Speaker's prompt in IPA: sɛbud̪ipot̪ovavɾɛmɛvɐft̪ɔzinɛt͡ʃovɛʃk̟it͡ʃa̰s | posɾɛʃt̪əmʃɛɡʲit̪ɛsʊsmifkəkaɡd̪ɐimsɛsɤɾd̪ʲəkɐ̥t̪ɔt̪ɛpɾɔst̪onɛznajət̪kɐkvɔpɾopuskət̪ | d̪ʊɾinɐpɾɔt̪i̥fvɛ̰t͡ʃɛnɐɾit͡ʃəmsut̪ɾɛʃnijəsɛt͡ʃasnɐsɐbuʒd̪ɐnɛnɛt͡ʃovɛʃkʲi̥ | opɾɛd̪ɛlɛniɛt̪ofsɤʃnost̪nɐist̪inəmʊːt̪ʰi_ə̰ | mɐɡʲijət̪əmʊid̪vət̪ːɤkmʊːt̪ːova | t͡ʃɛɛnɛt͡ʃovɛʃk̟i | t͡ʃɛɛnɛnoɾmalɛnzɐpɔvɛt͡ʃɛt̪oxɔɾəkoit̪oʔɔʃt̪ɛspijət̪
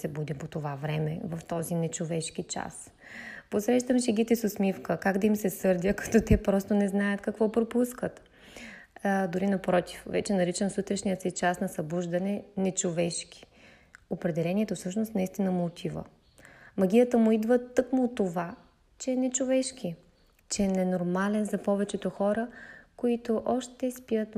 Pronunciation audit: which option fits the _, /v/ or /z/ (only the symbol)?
v